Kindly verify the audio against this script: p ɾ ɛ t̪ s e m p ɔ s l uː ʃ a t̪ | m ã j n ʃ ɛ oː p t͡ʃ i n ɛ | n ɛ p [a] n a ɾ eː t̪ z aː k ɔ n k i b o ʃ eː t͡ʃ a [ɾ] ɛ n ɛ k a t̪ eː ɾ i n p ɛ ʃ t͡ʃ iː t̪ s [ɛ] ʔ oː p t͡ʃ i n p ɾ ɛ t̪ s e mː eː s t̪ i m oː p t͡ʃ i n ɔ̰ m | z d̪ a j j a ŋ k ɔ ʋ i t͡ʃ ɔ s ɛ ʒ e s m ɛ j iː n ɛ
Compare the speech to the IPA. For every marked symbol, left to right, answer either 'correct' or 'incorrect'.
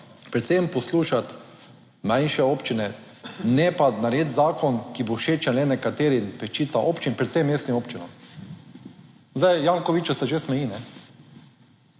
correct, incorrect, incorrect

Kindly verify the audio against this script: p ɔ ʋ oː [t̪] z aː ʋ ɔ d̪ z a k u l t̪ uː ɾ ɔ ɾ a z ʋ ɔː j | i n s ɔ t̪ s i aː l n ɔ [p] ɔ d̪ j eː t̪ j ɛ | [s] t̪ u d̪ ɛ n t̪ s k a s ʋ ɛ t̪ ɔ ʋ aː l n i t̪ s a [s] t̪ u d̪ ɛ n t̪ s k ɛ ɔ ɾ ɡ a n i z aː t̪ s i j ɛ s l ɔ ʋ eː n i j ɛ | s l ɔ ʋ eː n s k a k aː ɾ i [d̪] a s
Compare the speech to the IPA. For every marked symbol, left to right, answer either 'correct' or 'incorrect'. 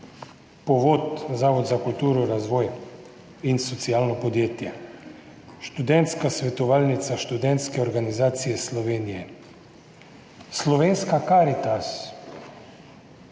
correct, correct, incorrect, incorrect, incorrect

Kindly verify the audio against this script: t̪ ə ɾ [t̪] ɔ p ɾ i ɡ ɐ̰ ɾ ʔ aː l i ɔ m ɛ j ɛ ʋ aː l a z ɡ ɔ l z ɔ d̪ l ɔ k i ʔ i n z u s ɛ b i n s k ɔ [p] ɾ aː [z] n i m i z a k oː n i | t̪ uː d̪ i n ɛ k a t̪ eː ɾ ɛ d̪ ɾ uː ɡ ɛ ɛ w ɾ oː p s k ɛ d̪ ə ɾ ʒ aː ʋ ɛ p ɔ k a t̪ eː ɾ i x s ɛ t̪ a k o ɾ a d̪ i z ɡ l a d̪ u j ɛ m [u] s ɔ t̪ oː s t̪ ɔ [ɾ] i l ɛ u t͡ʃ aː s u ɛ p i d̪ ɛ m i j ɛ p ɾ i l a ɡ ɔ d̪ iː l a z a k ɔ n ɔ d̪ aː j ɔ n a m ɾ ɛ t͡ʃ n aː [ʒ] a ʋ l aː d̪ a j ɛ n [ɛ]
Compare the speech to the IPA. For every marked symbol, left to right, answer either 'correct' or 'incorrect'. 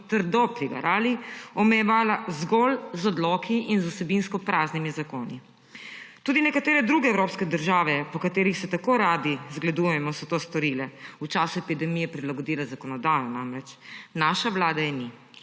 incorrect, correct, correct, incorrect, correct, incorrect, incorrect

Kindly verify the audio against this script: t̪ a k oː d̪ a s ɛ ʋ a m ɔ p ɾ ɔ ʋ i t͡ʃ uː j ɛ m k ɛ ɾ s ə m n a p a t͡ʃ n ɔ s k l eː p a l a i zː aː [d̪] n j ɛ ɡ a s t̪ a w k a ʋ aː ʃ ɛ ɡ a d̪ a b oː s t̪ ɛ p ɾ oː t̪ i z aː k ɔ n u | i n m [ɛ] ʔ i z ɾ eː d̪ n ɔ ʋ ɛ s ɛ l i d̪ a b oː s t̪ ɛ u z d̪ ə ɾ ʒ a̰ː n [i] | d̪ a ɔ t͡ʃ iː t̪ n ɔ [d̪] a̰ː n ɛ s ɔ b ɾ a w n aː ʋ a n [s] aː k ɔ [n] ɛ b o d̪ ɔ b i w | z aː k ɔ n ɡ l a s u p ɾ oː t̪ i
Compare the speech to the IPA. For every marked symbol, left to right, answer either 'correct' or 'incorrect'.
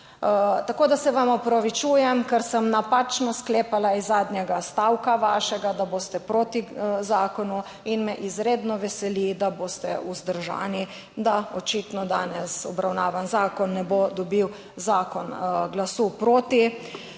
correct, correct, correct, correct, incorrect, incorrect

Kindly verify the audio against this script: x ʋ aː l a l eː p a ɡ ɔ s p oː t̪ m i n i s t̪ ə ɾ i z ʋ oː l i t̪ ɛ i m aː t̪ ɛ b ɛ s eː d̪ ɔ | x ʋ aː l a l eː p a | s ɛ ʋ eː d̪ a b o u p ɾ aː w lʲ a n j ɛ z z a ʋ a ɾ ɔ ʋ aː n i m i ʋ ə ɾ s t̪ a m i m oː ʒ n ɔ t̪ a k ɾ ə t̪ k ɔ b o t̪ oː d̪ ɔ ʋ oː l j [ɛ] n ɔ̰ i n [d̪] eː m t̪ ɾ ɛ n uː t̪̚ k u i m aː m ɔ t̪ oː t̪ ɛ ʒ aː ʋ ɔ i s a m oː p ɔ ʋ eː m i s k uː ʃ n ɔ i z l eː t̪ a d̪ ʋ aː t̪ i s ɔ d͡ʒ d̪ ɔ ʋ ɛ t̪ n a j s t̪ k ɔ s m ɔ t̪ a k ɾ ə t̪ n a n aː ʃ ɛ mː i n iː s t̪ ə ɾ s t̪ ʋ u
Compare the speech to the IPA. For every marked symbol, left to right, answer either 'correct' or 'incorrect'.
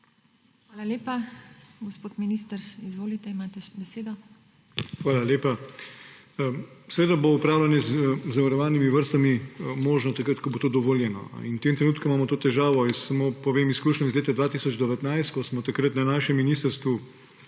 correct, incorrect

